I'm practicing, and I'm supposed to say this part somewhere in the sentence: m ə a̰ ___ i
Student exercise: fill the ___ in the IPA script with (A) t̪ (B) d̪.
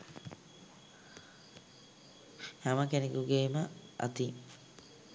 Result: A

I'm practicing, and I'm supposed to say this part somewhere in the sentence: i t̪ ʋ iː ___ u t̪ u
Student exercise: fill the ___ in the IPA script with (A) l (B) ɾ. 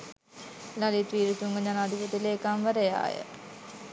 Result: B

